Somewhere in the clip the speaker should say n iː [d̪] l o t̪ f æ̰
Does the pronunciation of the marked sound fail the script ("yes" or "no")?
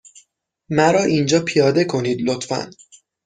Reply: no